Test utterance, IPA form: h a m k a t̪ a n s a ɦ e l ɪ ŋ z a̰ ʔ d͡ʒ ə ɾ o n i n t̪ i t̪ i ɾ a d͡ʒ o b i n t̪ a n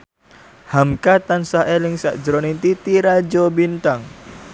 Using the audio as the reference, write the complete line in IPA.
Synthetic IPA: h a m k a t̪ a n s a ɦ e l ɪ ŋ s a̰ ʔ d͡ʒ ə ɾ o n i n t̪ i t̪ i ɾ a d͡ʒ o b i n t̪ a ŋ